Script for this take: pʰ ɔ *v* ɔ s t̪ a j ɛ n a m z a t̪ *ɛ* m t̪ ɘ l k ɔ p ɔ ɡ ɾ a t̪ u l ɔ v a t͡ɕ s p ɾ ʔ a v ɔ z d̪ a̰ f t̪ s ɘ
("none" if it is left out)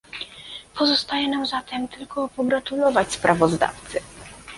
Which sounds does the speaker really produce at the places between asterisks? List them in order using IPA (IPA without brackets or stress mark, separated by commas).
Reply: z, ɛ